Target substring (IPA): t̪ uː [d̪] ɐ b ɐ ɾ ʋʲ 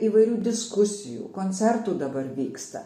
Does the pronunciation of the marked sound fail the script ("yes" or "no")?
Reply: no